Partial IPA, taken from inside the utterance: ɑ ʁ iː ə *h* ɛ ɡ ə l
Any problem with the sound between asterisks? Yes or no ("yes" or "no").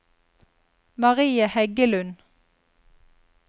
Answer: no